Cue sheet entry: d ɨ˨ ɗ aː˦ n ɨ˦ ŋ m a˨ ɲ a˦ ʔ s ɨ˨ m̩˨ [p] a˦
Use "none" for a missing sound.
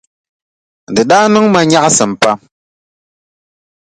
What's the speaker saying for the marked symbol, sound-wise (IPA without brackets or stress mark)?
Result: p